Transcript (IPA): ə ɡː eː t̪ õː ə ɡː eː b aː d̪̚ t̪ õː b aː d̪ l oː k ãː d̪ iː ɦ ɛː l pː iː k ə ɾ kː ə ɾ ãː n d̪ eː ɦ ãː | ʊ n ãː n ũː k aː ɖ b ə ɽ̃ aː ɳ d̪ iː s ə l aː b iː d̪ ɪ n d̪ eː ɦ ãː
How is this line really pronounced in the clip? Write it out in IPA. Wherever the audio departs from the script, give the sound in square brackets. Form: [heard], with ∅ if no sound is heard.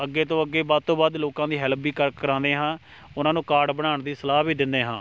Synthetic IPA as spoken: ə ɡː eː t̪ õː ə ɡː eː b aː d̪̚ t̪ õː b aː d̪ l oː k ãː d̪ iː ɦ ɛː l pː iː k ə ɾ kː ə ɾ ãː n d̪ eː ɦ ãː | ʊ n ãː n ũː k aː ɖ b ə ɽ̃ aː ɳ d̪ iː s ə l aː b iː d̪ ɪ n d̪ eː ɦ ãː